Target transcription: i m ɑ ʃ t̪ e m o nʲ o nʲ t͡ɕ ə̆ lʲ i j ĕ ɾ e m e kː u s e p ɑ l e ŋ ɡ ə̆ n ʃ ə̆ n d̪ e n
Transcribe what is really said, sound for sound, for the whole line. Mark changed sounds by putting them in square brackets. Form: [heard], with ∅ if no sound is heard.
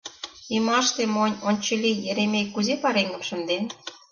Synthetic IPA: i m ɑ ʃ t̪ e m o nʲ o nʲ t͡ɕ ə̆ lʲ i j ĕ ɾ e m e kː u [z] e p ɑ [ɾ] e ŋ ɡ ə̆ [m] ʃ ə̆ n d̪ e n